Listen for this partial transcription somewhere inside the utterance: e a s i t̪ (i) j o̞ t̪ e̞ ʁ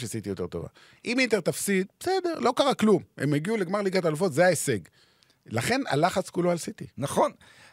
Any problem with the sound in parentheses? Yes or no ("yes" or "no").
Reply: no